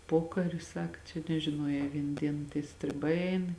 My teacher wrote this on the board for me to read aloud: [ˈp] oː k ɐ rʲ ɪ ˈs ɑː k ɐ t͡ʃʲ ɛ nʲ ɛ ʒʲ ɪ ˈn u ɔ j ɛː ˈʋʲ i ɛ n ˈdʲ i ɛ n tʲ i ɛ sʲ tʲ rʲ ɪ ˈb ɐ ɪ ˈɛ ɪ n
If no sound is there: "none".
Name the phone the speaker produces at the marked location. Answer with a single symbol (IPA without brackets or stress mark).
p